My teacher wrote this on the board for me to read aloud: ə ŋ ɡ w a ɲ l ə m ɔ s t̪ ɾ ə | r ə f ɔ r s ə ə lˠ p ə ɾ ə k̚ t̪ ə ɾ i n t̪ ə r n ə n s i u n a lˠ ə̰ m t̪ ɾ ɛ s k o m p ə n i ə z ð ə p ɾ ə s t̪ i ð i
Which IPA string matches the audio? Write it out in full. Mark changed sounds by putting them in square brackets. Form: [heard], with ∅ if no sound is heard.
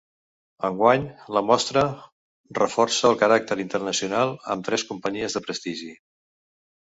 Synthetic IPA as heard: ə ŋ ɡ w a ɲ l ə m ɔ s t̪ ɾ ə | r ə f ɔ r s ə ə lˠ [k] ə ɾ [a] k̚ t̪ ə ɾ i n t̪ ə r n ə [∅] s i u n a lˠ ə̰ m t̪ ɾ ɛ s k [u] m p ə [ɲ] i ə z ð ə p ɾ ə s t̪ i [ʒ] i